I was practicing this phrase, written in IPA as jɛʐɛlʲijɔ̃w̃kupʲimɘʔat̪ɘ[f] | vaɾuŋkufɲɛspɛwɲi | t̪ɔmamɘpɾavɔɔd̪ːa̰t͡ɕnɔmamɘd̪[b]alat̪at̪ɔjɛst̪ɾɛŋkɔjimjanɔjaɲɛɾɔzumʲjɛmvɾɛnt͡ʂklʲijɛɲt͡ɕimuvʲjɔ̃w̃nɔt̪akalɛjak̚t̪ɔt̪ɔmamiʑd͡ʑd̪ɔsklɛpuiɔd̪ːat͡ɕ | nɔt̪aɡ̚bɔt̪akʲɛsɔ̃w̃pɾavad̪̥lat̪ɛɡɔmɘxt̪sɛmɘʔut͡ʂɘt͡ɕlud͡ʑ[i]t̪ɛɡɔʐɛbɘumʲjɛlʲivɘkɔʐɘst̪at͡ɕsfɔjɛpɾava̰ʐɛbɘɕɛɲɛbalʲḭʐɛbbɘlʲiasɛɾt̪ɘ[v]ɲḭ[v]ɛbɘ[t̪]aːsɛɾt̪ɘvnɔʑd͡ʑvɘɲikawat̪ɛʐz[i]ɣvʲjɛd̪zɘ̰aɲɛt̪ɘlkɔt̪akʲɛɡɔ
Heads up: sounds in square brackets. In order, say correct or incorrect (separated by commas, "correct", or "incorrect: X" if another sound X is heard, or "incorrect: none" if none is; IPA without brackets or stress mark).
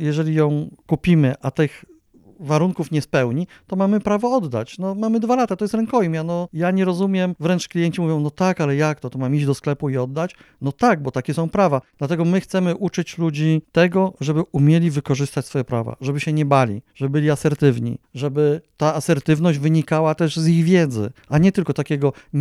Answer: incorrect: x, incorrect: v, correct, correct, incorrect: ʐ, correct, correct